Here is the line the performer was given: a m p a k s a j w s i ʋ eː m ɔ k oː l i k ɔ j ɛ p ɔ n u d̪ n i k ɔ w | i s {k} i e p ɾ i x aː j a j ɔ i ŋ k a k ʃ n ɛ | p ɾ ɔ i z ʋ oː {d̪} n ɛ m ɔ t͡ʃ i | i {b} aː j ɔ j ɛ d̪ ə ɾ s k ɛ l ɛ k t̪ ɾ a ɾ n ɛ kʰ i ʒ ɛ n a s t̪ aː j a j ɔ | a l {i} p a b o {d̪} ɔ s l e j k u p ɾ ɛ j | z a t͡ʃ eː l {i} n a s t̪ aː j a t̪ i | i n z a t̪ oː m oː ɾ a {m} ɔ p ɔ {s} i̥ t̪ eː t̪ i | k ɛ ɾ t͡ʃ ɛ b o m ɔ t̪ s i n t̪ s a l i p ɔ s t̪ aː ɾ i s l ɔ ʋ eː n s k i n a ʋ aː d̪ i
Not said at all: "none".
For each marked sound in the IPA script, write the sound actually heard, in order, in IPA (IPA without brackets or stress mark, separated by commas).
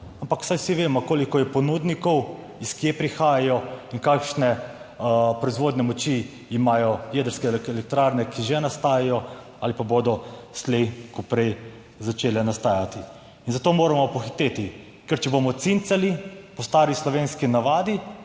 k, d̪, m, i, d̪, ɛ, m, x